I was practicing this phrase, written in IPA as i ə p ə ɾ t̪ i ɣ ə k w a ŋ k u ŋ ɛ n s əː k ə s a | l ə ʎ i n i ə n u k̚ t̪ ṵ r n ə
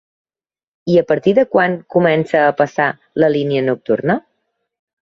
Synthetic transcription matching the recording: i ə p ə ɾ t̪ i ð ə k w a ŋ k u m ɛ n s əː p ə s a | l ə l i n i ə n u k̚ t̪ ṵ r n ə

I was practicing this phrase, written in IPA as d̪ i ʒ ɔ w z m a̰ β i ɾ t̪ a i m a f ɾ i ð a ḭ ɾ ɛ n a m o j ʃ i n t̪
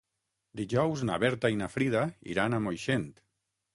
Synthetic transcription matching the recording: d̪ i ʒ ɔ w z n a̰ β ɛ ɾ t̪ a i n a f ɾ i ð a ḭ ɾ a n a m o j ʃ e n t̪

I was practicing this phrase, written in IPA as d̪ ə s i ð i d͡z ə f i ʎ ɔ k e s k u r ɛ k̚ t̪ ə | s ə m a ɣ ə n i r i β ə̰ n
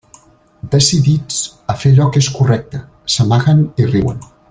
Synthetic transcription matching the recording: d̪ ə s i ð i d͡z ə f e ʎ ɔ k e s k u r ɛ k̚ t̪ ə | s ə m a ɣ ə n i r i w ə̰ n

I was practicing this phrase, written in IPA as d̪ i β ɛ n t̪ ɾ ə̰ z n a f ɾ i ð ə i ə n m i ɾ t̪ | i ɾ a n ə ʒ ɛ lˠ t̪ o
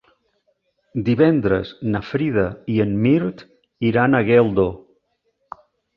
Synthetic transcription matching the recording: d̪ i β ɛ n d̪ ɾ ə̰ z n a f ɾ i ð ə i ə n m i ɾ t̪ | i ɾ a n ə ɣ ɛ lˠ d̪ o

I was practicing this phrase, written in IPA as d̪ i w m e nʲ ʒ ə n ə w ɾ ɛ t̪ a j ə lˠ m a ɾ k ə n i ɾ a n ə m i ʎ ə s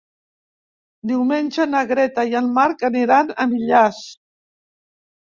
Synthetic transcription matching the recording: d̪ i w m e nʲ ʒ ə n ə ɣ ɾ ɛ t̪ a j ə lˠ m a ɾ k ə n i ɾ a n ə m i ʎ a s

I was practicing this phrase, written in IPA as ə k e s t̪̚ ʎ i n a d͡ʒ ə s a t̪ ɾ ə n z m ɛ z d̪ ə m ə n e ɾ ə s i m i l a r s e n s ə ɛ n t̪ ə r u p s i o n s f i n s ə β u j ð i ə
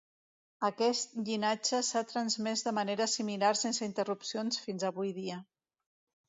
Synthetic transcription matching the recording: ə k ɛ s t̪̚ ʎ i n a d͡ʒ ə s a t̪ ɾ ə n z m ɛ z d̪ ə m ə n e ɾ ə s i m i l a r s e n s ə i n t̪ ə r u p s i o n s f i n z ə β u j ð i ə

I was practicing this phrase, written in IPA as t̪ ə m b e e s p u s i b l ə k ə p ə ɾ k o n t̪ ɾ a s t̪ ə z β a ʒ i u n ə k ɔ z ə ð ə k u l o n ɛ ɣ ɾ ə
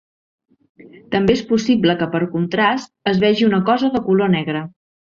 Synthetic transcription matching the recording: t̪ ə m b e e s p u s i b l ə k ə p ə ɾ k u n t̪ ɾ a s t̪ ə z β ɛ ʒ i u n ə k ɔ z ə ð ə k u l o n ɛ ɣ ɾ ə

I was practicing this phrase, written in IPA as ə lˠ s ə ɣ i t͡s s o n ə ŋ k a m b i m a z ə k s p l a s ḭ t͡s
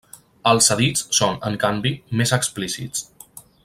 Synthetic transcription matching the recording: ə lˠ s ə ð i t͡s s o n ə ŋ k a m b i m e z ə k s p l i s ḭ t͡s

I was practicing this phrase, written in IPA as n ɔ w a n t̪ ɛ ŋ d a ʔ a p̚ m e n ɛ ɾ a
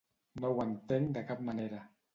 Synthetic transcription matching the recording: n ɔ w a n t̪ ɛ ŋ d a k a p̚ m a n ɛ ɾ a

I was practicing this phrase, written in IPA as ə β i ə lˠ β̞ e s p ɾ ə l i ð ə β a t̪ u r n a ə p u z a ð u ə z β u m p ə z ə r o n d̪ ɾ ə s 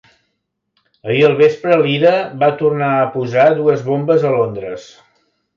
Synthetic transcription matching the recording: ə i ə lˠ β̞ e s p ɾ ə l i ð ə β a t̪ u r n a ə p u z a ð u ə z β o m b ə z ə l o n d̪ ɾ ə s

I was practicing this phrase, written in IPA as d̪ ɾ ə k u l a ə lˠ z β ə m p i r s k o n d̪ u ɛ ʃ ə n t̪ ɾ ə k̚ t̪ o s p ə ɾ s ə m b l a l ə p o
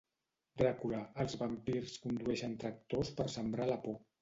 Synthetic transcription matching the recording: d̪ ɾ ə k u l a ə lˠ z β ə m p i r s k u n d̪ u ɛ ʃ ə n t̪ ɾ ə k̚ t̪ o s p ə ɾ s ə m b ɾ a l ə p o

